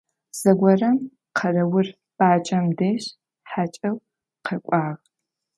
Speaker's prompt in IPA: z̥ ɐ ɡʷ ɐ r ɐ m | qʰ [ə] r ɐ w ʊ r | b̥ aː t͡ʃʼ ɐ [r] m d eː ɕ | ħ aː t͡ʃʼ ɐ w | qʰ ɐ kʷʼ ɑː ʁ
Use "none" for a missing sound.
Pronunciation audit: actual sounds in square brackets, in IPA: ɐ, none

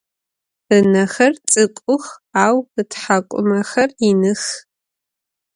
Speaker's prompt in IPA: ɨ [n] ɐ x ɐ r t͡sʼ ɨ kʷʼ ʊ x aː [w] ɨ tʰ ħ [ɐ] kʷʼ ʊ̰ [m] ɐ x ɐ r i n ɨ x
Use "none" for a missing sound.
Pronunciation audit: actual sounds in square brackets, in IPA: n, w, a, m

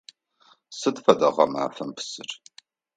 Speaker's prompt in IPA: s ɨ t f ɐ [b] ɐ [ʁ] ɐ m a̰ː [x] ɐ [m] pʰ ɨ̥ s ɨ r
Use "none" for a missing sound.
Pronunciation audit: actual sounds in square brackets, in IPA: d, ʁ, f, m

